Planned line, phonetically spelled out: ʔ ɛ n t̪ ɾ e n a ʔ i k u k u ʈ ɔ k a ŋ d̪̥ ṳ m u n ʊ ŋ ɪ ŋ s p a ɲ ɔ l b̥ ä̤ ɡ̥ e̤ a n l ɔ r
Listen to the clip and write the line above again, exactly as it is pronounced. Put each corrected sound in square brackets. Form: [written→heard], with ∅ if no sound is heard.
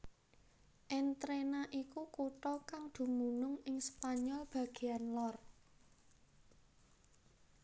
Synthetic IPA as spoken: ʔ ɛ n t̪ ɾ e n a ʔ i k u k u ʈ ɔ k a ŋ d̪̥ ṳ m u n ʊ ŋ ɪ ŋ s p a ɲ ɔ l b̥ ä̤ ɡ̥ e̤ a n l ɔ r